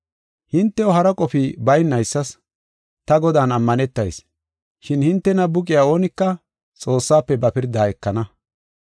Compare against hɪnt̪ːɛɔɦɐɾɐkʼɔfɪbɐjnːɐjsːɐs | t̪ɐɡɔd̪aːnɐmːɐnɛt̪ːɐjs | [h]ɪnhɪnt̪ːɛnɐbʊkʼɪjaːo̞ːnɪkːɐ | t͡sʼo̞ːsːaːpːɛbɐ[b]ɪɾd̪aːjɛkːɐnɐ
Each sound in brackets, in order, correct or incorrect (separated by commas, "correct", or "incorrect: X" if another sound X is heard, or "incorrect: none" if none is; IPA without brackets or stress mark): incorrect: ʃ, incorrect: p